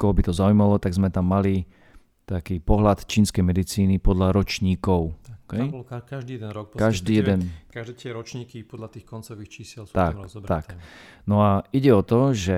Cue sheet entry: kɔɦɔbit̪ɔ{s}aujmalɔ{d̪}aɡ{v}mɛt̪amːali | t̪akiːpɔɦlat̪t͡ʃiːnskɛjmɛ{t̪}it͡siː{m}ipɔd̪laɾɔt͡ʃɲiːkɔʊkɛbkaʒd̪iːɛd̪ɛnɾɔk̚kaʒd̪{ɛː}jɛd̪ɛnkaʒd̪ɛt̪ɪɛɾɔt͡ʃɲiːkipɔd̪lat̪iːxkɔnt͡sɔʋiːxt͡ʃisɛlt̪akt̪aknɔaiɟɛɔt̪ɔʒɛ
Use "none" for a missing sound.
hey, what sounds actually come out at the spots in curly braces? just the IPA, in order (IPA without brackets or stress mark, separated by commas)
z, t̪, z, d̪, n, iː